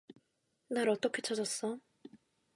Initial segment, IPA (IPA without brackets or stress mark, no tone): n